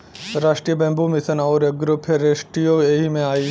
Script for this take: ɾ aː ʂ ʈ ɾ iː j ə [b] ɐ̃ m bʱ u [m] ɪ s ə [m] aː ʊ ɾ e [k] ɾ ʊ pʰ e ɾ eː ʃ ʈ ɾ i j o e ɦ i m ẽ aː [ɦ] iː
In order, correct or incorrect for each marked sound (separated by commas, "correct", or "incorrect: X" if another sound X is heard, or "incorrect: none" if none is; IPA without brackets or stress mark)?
correct, correct, incorrect: n, incorrect: ɡ, incorrect: none